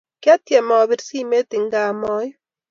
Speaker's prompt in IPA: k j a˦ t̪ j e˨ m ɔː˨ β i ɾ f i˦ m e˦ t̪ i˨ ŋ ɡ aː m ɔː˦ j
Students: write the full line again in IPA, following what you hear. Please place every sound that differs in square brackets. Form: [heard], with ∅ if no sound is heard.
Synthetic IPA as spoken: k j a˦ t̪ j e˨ m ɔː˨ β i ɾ [s] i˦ m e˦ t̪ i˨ ŋ ɡ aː m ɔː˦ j

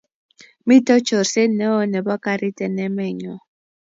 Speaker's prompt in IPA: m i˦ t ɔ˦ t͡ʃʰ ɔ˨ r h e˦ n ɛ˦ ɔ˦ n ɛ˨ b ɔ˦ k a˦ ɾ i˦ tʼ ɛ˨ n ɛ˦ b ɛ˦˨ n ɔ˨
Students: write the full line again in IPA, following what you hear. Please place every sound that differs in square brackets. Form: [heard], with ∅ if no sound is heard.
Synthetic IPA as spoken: m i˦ t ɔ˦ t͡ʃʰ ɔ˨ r [s] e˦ n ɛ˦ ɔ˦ n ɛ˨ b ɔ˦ k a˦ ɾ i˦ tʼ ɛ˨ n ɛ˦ [m] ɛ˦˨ [ɲ] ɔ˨

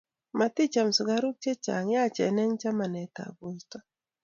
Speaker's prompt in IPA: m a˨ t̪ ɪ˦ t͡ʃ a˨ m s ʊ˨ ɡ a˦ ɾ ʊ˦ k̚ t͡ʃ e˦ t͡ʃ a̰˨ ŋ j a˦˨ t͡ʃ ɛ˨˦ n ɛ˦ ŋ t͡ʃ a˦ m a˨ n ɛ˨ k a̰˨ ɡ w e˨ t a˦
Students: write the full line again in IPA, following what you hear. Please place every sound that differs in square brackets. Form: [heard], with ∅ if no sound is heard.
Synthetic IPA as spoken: m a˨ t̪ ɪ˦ t͡ʃ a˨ m s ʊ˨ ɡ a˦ ɾ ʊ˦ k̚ t͡ʃ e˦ t͡ʃ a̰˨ ŋ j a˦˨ t͡ʃ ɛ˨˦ n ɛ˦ ŋ t͡ʃ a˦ m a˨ n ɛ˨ [t] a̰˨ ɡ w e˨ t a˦

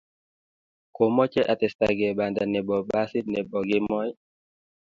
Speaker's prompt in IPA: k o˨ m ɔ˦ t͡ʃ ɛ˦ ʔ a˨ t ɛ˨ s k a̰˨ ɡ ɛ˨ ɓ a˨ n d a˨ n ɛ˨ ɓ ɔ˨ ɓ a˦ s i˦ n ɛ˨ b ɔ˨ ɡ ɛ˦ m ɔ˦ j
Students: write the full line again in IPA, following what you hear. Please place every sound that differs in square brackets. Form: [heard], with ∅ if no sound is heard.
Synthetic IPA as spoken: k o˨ m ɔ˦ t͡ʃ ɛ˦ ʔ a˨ t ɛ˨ s [t] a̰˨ ɡ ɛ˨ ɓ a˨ n d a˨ n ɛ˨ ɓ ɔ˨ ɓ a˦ s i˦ n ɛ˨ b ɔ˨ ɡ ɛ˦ m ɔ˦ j

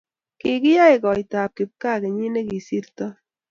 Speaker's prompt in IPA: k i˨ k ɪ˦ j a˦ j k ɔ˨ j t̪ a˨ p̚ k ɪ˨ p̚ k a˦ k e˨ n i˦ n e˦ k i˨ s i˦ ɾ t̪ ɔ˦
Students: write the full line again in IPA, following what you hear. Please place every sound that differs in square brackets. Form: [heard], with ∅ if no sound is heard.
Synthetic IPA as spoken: k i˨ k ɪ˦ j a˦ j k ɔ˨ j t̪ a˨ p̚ k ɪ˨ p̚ k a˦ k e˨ [ɲ] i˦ n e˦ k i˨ s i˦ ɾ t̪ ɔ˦

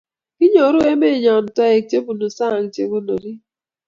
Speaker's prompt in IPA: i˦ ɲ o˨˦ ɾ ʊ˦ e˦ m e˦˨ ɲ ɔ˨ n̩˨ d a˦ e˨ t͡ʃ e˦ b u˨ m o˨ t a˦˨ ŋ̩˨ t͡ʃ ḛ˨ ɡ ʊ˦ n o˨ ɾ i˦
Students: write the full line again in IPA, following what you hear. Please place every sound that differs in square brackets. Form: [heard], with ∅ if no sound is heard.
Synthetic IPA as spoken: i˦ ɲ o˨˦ ɾ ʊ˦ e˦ m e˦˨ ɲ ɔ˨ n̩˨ [t] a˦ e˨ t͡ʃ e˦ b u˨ [n] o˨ [s] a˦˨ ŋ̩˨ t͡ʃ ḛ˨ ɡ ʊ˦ n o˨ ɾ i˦

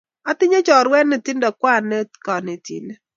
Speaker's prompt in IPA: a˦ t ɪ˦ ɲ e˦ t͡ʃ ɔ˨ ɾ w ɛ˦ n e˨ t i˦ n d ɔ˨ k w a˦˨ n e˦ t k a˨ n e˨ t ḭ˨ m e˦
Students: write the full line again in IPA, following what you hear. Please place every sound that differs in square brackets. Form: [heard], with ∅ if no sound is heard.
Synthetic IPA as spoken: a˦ t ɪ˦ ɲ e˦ t͡ʃ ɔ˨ ɾ w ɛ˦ n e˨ t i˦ n d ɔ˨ k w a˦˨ n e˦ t k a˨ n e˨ t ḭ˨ [n] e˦

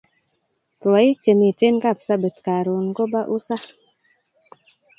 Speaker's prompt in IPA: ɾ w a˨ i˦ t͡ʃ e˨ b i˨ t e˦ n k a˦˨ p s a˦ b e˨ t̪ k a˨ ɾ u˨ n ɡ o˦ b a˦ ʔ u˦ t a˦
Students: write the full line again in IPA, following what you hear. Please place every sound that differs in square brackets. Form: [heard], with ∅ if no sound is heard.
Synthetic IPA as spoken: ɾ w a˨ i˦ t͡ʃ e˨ [m] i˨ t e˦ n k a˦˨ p s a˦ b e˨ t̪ k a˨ ɾ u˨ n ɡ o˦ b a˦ ʔ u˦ [s] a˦

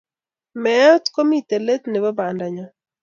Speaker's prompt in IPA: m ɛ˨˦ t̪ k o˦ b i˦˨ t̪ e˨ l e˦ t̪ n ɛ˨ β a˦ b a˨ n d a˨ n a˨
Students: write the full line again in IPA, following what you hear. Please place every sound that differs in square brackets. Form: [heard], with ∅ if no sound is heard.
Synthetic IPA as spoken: m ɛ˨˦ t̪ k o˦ [m] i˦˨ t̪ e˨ l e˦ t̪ n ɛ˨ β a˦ b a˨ n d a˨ [ɲ] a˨

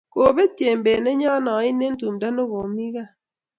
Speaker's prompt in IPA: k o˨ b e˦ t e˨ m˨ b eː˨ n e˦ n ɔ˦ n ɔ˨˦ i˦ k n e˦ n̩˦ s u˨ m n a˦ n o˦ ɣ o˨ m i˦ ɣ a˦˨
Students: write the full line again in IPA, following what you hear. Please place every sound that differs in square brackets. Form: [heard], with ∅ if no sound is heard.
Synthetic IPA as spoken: k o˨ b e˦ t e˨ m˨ b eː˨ n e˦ [ɲ] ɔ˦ n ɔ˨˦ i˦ [∅] n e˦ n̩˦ [t] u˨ m [d] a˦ n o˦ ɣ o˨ m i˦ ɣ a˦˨

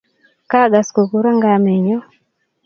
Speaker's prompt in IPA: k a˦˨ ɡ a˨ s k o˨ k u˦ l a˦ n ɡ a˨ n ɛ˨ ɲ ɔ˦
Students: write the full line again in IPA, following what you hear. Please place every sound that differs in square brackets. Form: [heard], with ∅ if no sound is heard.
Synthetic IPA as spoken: k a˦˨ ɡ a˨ s k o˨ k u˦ [ɾ] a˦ [ŋ] ɡ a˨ [m] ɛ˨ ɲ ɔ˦

